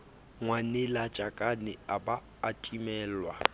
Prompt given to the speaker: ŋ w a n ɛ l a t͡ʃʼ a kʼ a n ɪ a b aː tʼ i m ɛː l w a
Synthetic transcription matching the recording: ŋ w a n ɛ l a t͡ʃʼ a kʼ a n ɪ a b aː tʼ i m ɛː l w a